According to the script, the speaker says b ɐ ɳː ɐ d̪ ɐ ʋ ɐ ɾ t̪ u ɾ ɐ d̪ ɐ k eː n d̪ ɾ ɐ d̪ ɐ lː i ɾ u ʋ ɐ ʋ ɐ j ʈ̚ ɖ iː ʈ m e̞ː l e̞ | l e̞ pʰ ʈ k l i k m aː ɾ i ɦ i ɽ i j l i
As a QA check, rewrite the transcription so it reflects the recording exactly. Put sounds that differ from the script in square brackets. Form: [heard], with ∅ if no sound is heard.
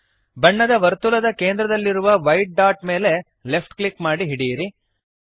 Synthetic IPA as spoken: b ɐ ɳː ɐ d̪ ɐ ʋ ɐ ɾ t̪ u [l] ɐ d̪ ɐ k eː n d̪ ɾ ɐ d̪ ɐ lː i ɾ u ʋ ɐ ʋ ɐ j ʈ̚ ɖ [aː] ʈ m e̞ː l e̞ | l e̞ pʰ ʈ k l i k m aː [ɽ] i ɦ i ɽ i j [ɾ] i